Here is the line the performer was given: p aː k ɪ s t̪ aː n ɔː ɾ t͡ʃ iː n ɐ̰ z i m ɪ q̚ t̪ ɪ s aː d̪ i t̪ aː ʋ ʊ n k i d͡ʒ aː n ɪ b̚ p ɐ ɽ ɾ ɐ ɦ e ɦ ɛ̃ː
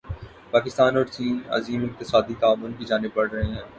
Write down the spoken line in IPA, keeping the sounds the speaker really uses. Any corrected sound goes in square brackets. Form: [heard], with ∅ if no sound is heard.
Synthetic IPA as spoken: p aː k ɪ s t̪ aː n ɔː ɾ t͡ʃ iː n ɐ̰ z [iː] m ɪ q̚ t̪ ɪ s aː d̪ i t̪ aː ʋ ʊ n k i d͡ʒ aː n ɪ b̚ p ɐ ɽ ɾ ɐ ɦ e ɦ ɛ̃ː